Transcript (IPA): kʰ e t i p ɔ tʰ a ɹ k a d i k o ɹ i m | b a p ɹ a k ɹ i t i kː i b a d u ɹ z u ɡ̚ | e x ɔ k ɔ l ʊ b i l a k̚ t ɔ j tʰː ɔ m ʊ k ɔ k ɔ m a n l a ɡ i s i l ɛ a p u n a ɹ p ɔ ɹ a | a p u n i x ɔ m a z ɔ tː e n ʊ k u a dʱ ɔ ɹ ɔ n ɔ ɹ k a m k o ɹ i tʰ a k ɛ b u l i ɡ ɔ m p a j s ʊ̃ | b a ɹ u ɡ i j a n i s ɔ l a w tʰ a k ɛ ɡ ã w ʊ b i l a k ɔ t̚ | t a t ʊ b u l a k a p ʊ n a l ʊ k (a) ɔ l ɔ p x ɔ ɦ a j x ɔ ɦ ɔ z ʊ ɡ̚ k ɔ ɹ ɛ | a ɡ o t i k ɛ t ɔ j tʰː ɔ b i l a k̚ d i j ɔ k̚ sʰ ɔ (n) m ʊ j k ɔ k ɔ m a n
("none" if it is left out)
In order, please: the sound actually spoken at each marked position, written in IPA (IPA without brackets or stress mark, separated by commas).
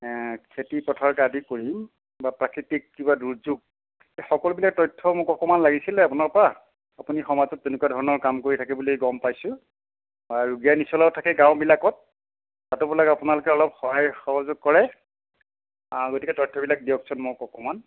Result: ɛ, n